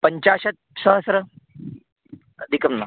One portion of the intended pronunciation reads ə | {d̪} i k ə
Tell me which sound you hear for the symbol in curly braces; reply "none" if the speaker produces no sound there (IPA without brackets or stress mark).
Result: d̪